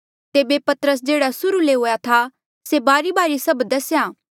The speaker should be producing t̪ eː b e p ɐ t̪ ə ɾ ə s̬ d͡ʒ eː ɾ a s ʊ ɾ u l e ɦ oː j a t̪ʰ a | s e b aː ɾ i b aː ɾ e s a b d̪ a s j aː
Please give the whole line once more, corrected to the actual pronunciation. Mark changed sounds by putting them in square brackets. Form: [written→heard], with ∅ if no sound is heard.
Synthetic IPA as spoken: t̪ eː b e p ɐ t̪ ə ɾ ə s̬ d͡ʒ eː [ɾ→ɽ] a s ʊ ɾ u l e ɦ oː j a t̪ʰ a | s e b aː ɾ i b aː ɾ [e→i] s [a→ɐ] b d̪ [a→ɐ] s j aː